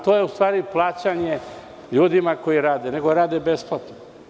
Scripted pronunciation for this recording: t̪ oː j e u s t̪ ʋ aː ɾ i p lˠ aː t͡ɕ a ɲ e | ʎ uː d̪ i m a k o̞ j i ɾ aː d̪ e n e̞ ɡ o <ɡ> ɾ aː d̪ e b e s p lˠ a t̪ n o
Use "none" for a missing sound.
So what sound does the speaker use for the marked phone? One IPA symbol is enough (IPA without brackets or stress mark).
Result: none